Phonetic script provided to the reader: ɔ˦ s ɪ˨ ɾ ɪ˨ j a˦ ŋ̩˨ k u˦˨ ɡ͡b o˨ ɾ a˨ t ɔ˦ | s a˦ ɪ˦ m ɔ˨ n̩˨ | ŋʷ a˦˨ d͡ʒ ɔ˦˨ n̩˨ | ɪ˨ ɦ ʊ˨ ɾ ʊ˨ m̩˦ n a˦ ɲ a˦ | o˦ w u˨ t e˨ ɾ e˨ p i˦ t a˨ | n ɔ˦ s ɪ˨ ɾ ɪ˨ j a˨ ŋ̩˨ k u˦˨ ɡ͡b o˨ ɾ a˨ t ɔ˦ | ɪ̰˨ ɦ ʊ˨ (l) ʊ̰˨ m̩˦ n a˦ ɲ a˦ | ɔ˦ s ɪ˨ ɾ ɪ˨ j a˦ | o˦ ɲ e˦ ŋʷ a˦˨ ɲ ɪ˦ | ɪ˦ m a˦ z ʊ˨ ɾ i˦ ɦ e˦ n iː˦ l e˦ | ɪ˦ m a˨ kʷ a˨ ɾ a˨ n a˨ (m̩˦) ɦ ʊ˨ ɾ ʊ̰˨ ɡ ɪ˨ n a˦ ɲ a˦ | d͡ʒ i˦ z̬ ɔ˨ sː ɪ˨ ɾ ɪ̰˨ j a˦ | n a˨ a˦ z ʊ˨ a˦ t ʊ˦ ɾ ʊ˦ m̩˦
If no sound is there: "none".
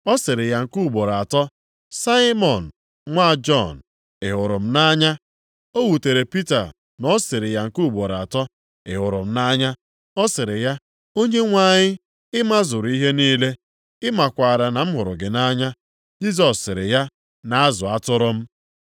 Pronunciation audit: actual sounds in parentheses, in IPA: ɾ, m̩˦

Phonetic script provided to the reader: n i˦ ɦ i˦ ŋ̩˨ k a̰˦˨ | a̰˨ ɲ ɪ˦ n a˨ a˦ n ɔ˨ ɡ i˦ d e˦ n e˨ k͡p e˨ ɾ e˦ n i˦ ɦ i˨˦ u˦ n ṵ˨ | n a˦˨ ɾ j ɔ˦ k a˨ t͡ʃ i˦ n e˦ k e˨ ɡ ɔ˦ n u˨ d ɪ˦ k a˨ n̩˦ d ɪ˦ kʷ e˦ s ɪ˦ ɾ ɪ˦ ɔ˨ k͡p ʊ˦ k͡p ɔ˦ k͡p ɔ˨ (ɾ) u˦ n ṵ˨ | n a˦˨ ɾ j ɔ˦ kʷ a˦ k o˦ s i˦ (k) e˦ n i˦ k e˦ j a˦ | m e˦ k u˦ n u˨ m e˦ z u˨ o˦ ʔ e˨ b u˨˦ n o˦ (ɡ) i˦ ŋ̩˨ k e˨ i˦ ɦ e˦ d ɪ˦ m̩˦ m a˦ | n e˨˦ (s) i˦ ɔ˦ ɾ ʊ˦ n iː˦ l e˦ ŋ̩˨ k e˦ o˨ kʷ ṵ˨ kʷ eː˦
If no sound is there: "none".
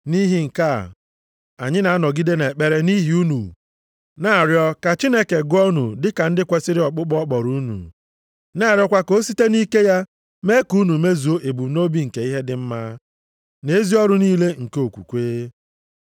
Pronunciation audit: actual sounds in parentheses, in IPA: ɾ, t, b, z

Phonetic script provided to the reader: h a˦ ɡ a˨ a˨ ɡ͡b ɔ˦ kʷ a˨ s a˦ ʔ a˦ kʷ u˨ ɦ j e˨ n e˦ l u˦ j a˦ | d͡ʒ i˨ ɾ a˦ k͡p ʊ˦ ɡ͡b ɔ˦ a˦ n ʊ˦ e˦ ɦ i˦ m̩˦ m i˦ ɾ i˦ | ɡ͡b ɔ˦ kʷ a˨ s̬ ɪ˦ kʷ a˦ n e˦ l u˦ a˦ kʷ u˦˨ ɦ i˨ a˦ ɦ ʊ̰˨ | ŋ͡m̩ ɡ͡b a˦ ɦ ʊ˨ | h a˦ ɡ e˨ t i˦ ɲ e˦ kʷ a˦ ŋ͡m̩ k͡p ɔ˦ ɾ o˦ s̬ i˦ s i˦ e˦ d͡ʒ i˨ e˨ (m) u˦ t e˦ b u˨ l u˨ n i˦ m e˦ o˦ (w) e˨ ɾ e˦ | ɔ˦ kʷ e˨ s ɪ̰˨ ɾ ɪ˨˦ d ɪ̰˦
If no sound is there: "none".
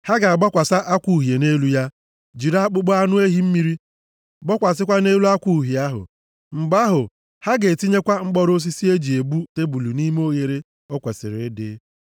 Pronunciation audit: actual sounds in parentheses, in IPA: b, ɣ

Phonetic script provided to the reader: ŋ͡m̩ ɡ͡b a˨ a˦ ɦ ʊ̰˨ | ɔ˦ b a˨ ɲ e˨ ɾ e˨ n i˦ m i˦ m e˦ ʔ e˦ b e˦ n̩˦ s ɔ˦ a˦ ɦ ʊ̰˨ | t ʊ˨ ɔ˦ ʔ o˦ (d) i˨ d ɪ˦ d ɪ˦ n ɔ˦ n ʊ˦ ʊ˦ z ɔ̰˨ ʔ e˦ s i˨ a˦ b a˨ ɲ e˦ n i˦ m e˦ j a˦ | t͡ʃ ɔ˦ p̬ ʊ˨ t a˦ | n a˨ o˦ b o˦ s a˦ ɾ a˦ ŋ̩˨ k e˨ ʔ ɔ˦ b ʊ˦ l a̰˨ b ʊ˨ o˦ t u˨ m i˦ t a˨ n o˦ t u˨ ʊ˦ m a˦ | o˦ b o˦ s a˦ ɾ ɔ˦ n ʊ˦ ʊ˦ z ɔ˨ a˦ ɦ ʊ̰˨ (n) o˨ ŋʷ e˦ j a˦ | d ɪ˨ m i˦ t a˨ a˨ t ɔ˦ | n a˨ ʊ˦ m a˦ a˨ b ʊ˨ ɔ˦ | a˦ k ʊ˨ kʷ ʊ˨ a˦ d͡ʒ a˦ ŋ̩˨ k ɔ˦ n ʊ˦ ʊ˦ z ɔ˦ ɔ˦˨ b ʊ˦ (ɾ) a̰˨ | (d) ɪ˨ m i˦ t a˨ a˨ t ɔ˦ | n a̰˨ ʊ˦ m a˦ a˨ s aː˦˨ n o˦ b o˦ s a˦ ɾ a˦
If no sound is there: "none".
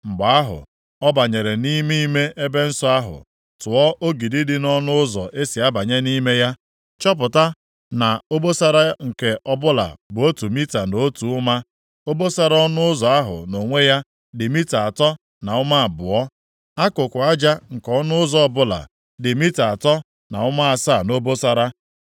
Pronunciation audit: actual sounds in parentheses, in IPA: ɡ, n, l, d

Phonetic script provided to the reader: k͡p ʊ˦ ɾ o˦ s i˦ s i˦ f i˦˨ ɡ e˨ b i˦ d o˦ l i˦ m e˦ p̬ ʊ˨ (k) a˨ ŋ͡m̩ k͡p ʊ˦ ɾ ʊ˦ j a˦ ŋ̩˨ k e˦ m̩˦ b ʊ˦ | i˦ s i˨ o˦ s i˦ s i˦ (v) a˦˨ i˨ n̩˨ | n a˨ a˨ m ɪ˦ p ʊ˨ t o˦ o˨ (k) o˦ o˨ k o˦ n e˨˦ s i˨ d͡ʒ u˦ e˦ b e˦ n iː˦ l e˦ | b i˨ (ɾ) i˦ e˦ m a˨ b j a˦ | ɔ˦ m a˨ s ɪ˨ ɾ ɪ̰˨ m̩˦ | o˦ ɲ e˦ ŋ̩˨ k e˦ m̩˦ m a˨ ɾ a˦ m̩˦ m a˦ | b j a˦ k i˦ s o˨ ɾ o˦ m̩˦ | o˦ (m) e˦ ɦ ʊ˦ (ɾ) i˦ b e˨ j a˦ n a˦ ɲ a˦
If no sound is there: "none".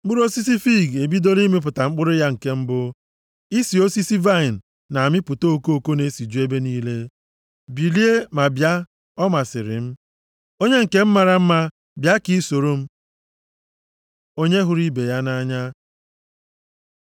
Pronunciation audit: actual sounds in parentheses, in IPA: t, v, k, l, ɲ, ɾ

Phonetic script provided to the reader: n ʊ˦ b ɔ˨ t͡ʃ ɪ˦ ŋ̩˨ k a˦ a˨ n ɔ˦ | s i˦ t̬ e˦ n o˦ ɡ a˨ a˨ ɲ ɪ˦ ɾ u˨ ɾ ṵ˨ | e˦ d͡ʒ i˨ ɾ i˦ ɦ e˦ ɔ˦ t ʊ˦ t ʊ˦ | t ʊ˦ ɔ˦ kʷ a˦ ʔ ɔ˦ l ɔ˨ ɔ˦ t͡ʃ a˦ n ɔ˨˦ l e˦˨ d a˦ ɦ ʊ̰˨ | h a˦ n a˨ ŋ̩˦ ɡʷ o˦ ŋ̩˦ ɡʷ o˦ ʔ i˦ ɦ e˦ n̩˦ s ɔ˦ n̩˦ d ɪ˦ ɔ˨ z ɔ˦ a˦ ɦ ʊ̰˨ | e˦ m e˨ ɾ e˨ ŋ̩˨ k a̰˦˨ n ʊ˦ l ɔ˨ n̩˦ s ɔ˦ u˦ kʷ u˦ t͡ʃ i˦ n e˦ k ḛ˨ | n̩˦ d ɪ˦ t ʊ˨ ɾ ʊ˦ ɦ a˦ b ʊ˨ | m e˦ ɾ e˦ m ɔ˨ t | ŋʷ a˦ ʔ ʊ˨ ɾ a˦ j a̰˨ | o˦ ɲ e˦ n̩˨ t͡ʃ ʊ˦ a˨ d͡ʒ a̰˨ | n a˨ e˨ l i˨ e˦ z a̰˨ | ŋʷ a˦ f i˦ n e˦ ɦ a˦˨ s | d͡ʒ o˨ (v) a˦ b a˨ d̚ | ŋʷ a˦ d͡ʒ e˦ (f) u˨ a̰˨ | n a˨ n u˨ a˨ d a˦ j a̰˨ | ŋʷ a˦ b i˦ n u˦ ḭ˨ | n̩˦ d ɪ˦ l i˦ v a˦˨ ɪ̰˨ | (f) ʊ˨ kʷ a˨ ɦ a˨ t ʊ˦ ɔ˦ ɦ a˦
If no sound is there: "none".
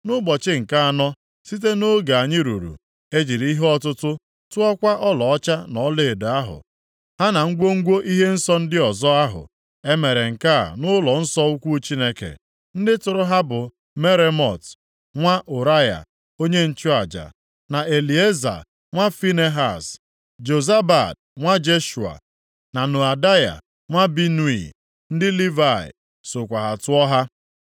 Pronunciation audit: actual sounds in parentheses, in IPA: z, ʃ, s

